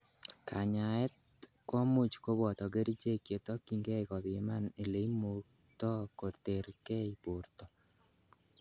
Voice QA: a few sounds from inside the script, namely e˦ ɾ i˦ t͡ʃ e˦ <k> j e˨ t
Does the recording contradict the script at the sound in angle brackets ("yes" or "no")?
no